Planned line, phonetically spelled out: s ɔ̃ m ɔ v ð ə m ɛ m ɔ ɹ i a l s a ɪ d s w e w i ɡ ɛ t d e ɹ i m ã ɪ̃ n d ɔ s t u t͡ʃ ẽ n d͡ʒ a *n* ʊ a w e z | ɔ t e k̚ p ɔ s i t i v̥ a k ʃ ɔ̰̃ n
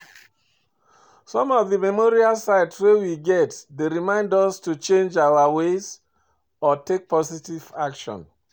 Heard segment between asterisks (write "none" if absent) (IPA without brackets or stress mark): none